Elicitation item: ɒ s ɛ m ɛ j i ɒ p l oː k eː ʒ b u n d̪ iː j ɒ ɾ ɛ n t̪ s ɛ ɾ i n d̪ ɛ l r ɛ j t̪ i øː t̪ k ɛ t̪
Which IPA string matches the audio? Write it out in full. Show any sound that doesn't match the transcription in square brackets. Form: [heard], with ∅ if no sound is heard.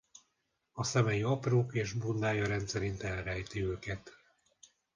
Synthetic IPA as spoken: ɒ s ɛ m ɛ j i ɒ p [r] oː k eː ʒ b u n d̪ [aː] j ɒ ɾ ɛ n t̪ s ɛ ɾ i n [t̪] ɛ l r ɛ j t̪ i øː [∅] k ɛ t̪